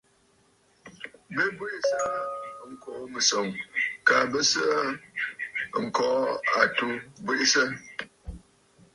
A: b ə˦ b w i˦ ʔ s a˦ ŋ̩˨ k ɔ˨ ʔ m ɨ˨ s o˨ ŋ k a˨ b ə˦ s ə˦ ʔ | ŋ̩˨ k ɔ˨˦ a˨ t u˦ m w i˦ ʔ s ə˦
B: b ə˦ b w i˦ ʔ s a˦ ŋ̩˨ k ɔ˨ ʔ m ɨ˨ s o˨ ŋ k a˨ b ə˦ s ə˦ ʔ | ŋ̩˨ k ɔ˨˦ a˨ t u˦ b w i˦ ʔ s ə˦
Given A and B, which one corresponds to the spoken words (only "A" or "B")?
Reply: B